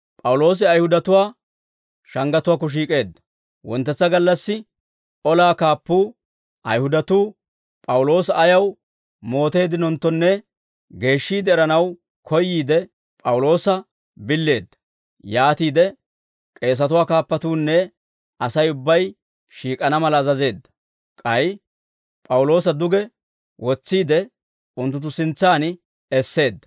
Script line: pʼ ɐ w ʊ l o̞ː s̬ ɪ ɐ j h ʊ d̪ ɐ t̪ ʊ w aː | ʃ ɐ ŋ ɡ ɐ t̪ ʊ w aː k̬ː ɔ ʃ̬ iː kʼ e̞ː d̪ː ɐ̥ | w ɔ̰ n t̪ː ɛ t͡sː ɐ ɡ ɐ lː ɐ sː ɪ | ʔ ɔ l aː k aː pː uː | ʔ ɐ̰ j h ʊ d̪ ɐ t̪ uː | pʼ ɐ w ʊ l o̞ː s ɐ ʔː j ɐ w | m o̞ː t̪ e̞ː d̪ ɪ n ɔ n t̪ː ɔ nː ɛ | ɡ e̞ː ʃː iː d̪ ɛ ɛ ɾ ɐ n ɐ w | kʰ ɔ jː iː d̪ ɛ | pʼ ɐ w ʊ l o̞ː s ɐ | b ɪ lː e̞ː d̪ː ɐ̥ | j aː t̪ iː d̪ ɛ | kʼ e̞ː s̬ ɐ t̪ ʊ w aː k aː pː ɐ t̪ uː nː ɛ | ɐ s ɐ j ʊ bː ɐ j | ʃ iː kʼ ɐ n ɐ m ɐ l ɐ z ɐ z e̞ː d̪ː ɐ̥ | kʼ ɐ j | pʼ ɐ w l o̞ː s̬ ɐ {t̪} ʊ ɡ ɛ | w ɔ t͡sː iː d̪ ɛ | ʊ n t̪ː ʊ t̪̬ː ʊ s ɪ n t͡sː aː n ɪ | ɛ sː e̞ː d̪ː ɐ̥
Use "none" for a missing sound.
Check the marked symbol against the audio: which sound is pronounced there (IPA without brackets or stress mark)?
d̪